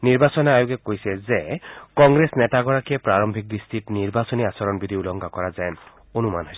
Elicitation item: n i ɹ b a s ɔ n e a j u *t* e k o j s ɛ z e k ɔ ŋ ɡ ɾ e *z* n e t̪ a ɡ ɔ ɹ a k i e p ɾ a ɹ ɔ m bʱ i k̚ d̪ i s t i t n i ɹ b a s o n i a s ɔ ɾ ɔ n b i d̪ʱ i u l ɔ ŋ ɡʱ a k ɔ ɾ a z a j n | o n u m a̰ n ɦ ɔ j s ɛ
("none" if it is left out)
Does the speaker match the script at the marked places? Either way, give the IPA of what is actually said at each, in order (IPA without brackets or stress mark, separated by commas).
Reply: k, s